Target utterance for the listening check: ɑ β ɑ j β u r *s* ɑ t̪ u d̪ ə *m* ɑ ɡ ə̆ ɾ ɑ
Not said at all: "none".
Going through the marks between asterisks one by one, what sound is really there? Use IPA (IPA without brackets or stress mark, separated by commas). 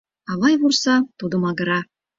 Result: s, m